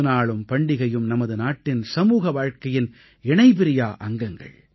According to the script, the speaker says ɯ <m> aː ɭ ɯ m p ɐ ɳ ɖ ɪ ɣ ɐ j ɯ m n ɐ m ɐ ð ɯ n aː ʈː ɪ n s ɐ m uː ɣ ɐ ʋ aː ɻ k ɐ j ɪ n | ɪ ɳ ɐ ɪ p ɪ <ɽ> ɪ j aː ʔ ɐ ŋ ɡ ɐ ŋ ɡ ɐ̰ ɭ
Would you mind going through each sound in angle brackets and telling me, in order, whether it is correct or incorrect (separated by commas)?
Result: incorrect, incorrect